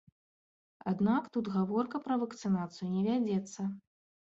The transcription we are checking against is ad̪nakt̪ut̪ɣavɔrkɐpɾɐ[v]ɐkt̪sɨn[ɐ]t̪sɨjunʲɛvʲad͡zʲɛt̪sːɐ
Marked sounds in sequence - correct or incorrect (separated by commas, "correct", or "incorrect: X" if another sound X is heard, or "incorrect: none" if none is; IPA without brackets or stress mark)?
correct, incorrect: a